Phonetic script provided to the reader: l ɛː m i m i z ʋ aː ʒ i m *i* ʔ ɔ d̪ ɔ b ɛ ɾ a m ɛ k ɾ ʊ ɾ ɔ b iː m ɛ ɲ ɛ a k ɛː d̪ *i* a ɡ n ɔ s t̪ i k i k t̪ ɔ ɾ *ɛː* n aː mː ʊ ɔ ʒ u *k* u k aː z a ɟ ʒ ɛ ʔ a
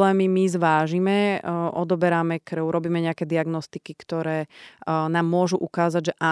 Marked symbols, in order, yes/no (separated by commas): no, yes, yes, no